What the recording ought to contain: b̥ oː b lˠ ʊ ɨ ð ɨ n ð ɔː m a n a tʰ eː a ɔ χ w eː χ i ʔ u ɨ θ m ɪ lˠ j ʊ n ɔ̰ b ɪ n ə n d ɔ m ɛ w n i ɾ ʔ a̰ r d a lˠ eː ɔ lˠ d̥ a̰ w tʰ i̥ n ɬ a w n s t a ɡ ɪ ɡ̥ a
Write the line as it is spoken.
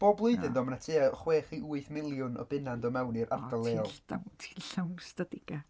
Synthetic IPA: b̥ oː b lˠ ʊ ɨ ð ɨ n ð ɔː m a n a tʰ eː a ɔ χ w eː χ i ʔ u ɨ θ m ɪ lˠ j ʊ n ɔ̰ b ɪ n a n d ɔ m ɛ w n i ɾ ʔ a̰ r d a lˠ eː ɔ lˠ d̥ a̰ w tʰ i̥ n ɬ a w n s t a d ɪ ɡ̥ a